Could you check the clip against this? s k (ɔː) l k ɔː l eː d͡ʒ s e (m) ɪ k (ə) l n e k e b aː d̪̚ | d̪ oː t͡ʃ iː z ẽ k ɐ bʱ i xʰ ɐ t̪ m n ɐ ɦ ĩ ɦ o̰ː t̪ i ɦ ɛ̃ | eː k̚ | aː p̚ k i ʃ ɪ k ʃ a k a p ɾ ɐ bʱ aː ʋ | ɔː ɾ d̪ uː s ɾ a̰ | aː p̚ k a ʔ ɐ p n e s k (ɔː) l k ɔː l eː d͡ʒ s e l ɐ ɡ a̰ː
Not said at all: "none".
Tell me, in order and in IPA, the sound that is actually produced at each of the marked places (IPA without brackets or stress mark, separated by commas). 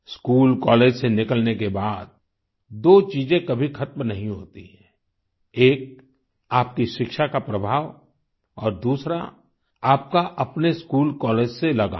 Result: uː, n, ə, uː